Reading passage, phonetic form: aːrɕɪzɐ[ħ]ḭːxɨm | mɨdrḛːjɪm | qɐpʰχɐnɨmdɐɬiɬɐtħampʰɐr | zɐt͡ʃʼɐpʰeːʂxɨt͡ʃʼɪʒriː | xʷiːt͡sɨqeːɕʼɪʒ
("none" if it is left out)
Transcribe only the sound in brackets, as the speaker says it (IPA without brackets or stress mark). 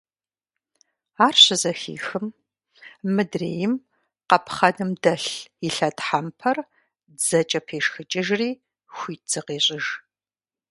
x